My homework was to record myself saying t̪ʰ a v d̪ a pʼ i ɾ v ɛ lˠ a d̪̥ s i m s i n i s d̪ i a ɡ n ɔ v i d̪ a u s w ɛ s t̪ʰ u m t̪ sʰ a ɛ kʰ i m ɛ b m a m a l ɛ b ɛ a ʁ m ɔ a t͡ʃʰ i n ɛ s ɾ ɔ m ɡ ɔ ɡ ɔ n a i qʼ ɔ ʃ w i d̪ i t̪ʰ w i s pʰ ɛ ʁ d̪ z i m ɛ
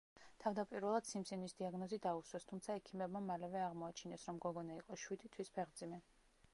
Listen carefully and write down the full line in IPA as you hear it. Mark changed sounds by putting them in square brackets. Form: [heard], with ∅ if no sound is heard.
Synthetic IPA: t̪ʰ a v d̪ a pʼ i ɾ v ɛ lˠ a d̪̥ s i m s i n i s d̪ i a ɡ n ɔ [z] i d̪ a u s w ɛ s t̪ʰ u m t̪ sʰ a ɛ kʰ i m ɛ b m a m a l ɛ [v] ɛ a ʁ m ɔ a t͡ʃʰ i n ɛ s ɾ ɔ m ɡ ɔ ɡ ɔ n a i qʼ ɔ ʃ w i d̪ i t̪ʰ w i s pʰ ɛ ʁ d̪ z i m ɛ